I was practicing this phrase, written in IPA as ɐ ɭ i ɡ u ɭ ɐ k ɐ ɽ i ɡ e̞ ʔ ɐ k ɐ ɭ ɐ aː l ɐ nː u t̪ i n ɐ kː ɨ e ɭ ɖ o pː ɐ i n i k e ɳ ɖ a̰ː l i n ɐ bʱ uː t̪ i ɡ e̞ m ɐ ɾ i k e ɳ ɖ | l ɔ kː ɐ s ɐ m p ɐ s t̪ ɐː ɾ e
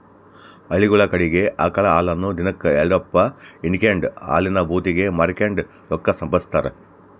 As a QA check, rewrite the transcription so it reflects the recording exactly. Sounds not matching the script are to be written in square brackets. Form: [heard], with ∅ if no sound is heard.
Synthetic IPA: ɐ ɭ i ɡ u ɭ ɐ k ɐ ɽ i ɡ e̞ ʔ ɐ k ɐ ɭ ɐ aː l ɐ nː u [d̪] i n ɐ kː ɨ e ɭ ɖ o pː ɐ i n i k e ɳ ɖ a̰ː l i n ɐ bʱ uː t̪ i ɡ e̞ m ɐ ɾ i k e ɳ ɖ | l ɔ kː ɐ s ɐ m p ɐ s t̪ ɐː ɾ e